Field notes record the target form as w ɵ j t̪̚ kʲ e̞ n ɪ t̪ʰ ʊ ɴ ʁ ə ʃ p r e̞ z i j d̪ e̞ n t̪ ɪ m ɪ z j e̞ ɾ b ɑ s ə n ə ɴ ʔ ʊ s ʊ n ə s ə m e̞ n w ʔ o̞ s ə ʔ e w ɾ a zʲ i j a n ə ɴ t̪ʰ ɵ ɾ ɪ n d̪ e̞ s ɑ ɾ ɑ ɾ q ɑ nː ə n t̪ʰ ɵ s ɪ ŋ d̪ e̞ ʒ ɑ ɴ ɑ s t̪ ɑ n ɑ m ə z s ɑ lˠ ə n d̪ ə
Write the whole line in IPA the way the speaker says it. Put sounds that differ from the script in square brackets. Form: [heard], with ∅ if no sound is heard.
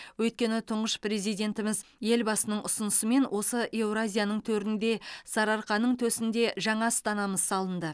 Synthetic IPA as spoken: w ɵ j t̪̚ kʲ e̞ n ɪ t̪ʰ ʊ ɴ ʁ ə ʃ p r e̞ z i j d̪ e̞ n t̪ ɪ m ɪ z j e̞ [l] b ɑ s ə n ə ɴ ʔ ʊ s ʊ n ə s ə m e̞ n w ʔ o̞ s ə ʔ e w ɾ a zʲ i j a n ə ɴ t̪ʰ ɵ ɾ ɪ n d̪ e̞ s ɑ ɾ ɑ ɾ q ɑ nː ə [ɴ] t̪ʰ ɵ s ɪ [n] d̪ e̞ ʒ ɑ ɴ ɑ s t̪ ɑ n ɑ m ə z s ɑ lˠ ə n d̪ ə